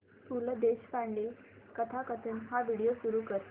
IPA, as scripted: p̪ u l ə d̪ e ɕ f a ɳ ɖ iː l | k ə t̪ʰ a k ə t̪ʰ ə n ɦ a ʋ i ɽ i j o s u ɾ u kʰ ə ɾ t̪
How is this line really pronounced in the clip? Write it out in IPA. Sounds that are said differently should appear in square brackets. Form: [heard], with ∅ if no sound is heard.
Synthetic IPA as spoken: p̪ u l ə d̪ e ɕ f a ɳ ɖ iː l | k ə t̪ʰ a k ə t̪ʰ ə n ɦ a ʋ i ɽ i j o s u ɾ u [k] ə ɾ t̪